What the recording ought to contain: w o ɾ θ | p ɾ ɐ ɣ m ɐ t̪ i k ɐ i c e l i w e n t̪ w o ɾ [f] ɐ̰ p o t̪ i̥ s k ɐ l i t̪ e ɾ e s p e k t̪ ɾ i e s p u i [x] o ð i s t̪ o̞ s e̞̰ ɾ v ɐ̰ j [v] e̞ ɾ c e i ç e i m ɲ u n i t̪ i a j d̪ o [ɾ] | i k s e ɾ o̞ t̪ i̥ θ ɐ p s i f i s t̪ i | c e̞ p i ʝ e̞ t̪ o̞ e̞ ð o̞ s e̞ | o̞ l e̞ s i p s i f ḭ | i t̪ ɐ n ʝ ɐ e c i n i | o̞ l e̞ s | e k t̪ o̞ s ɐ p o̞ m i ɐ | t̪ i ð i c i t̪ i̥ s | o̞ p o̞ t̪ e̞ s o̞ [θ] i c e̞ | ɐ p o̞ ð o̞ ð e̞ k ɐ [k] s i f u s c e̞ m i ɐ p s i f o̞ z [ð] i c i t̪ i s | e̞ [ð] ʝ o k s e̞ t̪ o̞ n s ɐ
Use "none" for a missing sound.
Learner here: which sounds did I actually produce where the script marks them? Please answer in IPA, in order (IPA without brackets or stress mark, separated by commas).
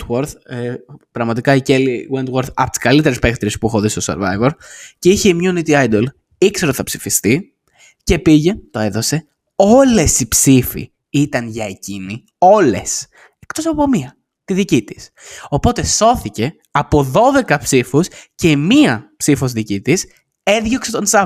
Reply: θ, x, v, l, θ, p, ð, ð